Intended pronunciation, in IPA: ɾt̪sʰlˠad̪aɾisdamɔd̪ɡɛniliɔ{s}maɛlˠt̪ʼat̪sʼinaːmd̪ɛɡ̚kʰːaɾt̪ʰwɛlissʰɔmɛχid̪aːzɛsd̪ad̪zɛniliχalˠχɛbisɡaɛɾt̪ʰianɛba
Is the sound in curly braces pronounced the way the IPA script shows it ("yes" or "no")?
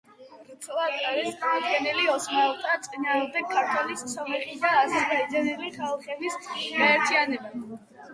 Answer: yes